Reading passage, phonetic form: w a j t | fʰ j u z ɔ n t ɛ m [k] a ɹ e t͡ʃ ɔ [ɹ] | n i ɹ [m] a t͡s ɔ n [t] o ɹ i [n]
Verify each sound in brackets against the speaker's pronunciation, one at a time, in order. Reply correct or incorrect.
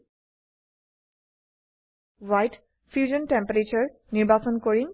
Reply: incorrect, correct, incorrect, incorrect, correct

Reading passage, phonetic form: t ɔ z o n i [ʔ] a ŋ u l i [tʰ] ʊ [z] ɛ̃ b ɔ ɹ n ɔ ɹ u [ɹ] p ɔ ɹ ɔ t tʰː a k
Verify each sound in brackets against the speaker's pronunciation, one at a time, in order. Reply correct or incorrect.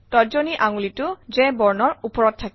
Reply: correct, incorrect, correct, incorrect

